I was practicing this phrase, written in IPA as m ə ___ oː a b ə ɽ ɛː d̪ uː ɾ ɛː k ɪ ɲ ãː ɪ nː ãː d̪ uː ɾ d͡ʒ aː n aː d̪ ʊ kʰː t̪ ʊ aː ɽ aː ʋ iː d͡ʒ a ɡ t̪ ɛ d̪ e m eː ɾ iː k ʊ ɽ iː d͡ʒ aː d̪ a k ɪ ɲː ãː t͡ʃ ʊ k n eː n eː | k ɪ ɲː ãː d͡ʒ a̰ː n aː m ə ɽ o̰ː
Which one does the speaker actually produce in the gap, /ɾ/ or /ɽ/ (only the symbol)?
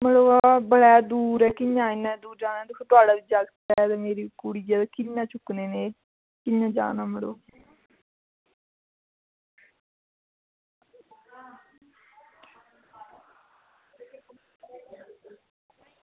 ɽ